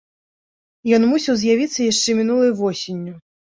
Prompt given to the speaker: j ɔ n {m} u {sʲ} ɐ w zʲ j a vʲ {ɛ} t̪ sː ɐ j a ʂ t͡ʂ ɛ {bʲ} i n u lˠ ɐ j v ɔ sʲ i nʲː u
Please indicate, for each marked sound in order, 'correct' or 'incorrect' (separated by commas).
correct, correct, incorrect, incorrect